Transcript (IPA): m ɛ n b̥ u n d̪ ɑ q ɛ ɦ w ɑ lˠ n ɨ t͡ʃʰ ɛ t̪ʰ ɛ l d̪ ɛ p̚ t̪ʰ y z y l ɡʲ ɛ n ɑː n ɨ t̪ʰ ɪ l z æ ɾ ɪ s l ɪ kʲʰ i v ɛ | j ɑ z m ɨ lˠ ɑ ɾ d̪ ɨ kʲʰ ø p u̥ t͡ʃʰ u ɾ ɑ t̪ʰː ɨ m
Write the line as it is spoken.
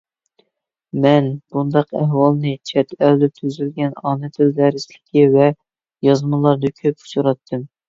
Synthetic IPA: m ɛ n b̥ u n d̪ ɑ q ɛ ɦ w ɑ lˠ n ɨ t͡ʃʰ ɛ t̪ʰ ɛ l d̪ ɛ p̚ t̪ʰ y z y l ɡʲ ɛ n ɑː n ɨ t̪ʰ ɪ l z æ ɾ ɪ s l ɪ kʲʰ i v ɛ | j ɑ z m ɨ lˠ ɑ ɾ d̪ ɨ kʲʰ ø p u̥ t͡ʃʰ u ɾ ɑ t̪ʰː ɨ m